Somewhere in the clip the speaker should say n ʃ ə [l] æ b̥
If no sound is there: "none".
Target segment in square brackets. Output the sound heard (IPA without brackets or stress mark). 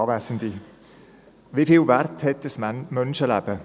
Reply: l